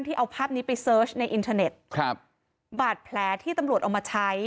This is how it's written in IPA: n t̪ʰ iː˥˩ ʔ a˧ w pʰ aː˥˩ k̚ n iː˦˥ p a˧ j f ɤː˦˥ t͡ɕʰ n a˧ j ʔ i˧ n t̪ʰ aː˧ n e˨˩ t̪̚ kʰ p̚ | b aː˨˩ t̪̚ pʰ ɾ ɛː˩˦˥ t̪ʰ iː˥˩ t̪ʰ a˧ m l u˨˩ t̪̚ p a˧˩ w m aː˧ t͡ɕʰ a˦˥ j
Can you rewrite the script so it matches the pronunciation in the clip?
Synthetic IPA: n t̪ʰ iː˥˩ ʔ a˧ w pʰ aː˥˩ p̚ n iː˦˥ p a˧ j s ɤː˦˥ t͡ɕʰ n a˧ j ʔ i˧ n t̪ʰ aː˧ n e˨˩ t̪̚ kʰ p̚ | b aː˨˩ t̪̚ pʰ l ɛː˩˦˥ t̪ʰ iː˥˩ t̪ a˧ m ɾ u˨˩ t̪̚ ʔ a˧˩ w m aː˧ t͡ɕʰ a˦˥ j